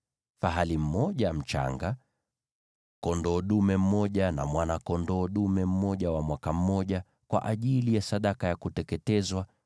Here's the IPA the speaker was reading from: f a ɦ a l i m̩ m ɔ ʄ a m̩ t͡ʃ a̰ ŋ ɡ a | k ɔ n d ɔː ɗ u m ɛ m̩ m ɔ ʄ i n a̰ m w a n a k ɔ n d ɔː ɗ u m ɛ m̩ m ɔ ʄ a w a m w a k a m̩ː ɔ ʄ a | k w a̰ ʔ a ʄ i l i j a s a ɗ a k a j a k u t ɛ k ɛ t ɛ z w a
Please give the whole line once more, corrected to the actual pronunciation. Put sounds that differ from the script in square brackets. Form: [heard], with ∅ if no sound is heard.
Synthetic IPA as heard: f a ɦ a l i m̩ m ɔ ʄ a m̩ t͡ʃ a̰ ŋ ɡ a | k ɔ n d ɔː ɗ u m ɛ m̩ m ɔ ʄ [a] n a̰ m w a n a k ɔ n d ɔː ɗ u m ɛ m̩ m ɔ ʄ a w a m w a k a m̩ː ɔ ʄ a | k w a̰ ʔ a ʄ i l i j a s a ɗ a k a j a k u t ɛ k ɛ t ɛ z w a